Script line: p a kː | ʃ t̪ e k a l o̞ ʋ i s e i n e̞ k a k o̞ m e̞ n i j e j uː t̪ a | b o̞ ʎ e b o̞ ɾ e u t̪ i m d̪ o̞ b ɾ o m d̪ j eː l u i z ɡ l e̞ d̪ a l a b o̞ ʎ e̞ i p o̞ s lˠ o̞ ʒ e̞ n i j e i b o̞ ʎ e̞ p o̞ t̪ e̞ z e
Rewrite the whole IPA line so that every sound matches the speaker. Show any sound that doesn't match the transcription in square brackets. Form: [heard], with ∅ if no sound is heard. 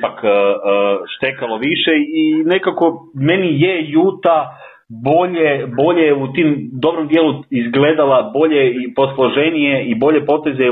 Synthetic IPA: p a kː | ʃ t̪ e k a l o̞ ʋ i [ʃ] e i n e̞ k a k o̞ m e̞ n i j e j uː t̪ a | b o̞ ʎ e b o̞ [ʎ] e u t̪ i m d̪ o̞ b ɾ o m d̪ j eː l u i z ɡ l e̞ d̪ a l a b o̞ ʎ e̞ i p o̞ s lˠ o̞ ʒ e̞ n i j e i b o̞ ʎ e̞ p o̞ t̪ e̞ z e